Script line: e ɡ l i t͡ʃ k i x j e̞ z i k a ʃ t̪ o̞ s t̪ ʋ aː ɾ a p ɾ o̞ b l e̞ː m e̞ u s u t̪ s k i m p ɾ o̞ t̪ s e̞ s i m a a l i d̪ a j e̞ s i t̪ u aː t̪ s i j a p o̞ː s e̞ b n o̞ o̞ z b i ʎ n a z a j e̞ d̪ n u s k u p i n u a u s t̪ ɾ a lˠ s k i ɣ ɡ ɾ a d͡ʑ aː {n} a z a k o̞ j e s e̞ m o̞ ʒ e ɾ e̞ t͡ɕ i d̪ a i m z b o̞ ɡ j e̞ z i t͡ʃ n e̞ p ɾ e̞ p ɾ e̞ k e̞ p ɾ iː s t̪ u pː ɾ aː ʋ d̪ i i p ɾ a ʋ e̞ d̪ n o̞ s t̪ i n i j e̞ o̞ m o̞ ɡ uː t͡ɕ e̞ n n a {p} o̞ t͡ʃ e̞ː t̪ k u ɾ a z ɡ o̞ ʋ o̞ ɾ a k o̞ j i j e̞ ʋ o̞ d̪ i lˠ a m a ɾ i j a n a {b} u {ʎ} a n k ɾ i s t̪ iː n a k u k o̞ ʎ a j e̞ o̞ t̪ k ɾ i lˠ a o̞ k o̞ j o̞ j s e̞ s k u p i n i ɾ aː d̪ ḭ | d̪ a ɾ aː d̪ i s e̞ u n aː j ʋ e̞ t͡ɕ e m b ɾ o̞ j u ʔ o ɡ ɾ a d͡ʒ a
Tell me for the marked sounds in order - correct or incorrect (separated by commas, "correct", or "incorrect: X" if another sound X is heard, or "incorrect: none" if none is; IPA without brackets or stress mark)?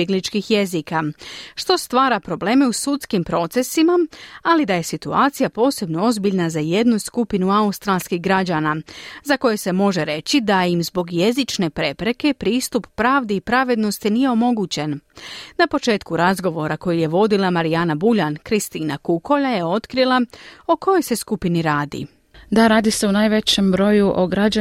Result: correct, correct, correct, correct